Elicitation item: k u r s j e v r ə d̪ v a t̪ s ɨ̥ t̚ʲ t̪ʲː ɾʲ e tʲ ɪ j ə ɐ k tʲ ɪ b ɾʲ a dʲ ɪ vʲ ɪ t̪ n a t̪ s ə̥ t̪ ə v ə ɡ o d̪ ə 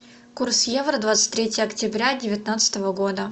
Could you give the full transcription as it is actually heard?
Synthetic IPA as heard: k u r s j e v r ə d̪ v a t̪ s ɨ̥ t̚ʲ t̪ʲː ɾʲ e tʲ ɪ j ə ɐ k tʲ ɪ b ɾʲ a dʲ ɪ vʲ ɪ t̪ n a t̪ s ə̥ t̪ ə v ə ɡ o d̪ ə